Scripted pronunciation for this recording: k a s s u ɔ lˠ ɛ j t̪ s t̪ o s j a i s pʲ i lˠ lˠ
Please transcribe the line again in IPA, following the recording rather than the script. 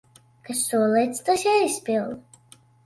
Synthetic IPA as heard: k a s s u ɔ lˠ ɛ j t̪ s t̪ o s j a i s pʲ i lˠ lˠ